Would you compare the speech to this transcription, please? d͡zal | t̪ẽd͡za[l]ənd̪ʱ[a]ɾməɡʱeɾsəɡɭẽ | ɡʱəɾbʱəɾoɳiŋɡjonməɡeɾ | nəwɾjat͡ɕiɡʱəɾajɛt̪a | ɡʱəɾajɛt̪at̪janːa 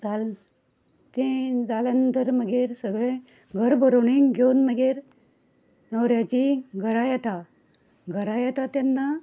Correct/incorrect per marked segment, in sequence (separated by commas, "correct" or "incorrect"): correct, incorrect